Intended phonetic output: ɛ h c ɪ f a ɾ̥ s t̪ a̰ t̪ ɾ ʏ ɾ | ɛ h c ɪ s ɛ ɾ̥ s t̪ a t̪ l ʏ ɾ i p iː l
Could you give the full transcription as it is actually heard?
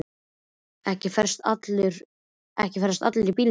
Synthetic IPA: ɛ h c ɪ f ɛ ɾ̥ s t̪ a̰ t̪ l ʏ ɾ | ɛ h c ɪ f ɛ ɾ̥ s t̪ a t̪ l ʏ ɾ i p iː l